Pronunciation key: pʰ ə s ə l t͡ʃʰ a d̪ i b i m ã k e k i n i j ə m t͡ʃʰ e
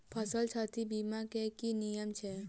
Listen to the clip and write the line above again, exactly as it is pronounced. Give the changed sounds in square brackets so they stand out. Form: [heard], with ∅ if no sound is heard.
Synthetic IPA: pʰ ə s ə l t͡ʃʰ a [t̪] i b i m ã k e k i n i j ə m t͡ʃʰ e